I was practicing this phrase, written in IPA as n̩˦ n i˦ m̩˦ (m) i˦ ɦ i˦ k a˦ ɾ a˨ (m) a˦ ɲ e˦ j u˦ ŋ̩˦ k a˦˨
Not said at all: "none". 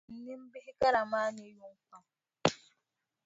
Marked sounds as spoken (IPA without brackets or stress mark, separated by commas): b, m